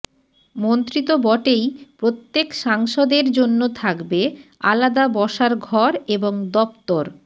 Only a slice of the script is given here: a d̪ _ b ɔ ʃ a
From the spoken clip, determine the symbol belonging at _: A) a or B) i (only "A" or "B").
A